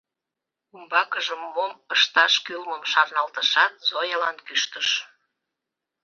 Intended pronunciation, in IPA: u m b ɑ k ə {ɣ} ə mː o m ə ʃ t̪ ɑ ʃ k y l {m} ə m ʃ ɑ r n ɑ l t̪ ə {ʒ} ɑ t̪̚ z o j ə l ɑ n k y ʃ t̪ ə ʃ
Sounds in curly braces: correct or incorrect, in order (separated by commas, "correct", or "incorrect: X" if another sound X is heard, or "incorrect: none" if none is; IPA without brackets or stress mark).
incorrect: ʒ, correct, incorrect: ʃ